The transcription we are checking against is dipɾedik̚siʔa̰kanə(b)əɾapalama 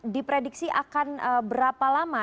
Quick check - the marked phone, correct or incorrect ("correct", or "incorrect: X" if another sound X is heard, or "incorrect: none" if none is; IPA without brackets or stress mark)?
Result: correct